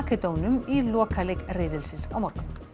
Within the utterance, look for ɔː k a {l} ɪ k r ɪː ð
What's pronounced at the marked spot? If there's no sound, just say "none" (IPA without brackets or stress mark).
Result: l